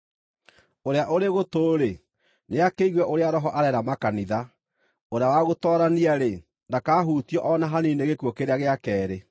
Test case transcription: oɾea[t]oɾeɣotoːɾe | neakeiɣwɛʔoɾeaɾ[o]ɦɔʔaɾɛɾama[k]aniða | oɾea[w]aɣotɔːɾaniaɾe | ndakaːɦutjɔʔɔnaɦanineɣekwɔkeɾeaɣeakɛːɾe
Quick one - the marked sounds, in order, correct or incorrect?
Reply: incorrect: ʔ, incorrect: ɔ, correct, correct

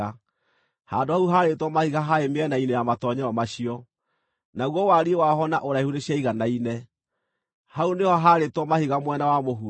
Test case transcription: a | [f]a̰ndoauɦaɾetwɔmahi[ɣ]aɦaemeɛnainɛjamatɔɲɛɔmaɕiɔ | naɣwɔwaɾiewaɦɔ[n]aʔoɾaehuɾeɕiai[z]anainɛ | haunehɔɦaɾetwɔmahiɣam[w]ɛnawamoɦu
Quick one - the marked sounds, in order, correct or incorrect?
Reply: incorrect: h, correct, correct, incorrect: ɣ, correct

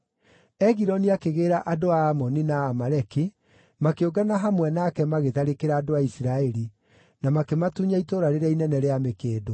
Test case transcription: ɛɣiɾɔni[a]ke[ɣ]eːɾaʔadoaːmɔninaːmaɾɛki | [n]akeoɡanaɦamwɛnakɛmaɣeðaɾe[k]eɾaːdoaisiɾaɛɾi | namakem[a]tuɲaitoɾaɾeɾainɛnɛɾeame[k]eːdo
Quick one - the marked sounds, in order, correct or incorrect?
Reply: correct, correct, incorrect: m, correct, correct, correct

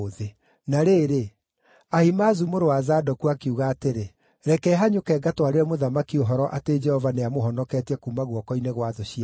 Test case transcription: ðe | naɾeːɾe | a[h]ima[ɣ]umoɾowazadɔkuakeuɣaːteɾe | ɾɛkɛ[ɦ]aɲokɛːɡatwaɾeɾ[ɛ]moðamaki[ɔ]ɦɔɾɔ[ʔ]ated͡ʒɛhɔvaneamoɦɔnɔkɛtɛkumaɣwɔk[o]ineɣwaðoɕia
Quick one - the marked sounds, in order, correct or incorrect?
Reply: correct, incorrect: z, correct, correct, incorrect: o, correct, incorrect: ɔ

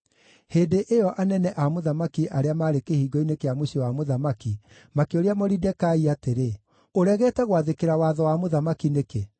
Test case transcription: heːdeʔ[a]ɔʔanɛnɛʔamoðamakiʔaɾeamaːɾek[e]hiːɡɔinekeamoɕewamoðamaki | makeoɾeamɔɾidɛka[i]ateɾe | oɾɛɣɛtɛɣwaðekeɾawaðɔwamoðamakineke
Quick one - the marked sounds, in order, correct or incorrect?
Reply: incorrect: e, correct, correct

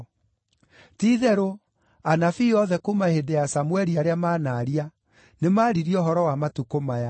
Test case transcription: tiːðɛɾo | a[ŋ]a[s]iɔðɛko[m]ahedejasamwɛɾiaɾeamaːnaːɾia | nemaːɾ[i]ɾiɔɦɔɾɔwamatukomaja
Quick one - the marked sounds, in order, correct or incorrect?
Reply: incorrect: n, incorrect: f, correct, correct

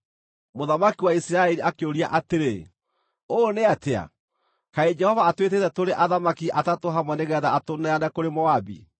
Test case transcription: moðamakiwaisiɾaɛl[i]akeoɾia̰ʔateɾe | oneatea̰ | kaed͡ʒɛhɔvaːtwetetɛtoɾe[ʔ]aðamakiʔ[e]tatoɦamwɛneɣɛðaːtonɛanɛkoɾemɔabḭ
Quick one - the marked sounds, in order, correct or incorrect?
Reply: correct, correct, incorrect: a

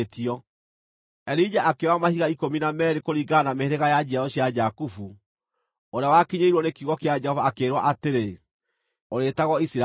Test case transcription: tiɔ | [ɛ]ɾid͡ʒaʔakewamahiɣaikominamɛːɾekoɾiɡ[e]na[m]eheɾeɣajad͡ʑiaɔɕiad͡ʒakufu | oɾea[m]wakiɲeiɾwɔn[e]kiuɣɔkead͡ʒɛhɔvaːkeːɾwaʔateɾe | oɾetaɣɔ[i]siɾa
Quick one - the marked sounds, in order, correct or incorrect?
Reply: correct, incorrect: a, correct, incorrect: none, correct, correct

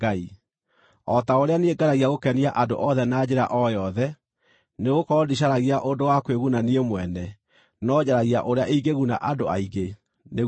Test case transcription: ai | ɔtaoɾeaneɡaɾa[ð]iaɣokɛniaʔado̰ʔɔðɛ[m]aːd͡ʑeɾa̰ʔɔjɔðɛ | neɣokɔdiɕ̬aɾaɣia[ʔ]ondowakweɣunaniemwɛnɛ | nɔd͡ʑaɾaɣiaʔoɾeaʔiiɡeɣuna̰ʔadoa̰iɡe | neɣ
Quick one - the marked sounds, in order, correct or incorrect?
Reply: incorrect: ɣ, incorrect: n, correct

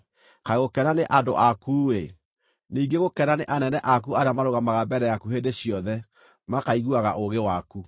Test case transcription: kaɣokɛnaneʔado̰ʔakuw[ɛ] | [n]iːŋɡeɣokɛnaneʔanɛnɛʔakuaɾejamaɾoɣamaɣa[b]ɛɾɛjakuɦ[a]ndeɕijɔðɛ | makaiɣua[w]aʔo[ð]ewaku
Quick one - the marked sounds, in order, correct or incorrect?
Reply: incorrect: e, correct, correct, incorrect: e, incorrect: ɣ, incorrect: ɣ

